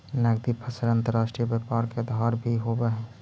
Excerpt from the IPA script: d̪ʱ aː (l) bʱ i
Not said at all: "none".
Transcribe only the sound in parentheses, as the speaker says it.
ɾ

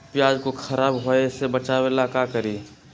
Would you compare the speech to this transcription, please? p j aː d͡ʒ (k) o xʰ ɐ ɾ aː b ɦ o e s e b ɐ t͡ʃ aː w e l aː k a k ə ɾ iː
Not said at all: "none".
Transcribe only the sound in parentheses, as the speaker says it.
k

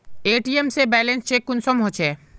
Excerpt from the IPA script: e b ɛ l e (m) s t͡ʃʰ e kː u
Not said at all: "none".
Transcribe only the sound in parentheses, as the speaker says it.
n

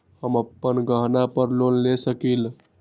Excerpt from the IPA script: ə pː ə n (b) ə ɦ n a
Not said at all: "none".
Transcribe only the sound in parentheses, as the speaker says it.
ɡ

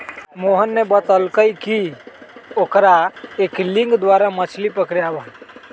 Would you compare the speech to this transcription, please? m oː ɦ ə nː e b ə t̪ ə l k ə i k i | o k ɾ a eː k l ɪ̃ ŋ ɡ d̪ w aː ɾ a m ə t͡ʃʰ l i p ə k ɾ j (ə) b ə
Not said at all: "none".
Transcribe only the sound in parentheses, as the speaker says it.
a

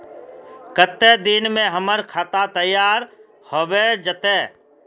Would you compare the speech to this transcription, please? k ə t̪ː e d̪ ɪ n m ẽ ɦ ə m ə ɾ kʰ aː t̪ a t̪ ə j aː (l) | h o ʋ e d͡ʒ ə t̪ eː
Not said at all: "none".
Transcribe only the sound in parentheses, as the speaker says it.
ɾ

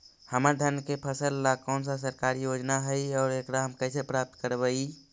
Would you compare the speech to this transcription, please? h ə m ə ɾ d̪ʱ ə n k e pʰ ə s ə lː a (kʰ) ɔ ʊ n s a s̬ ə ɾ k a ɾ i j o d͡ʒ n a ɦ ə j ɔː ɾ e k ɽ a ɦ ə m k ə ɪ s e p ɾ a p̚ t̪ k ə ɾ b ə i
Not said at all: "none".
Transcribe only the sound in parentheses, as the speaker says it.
k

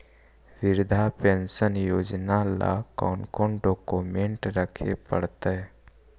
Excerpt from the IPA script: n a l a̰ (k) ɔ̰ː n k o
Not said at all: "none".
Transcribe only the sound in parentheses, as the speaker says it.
k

